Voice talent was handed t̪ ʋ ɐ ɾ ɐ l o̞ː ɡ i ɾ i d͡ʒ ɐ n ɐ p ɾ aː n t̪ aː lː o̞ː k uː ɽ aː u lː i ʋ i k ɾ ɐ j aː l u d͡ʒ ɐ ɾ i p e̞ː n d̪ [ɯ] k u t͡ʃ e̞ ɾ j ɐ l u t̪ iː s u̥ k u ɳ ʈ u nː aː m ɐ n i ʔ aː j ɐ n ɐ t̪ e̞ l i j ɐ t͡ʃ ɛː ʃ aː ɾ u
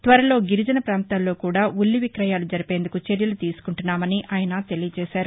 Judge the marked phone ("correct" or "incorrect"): incorrect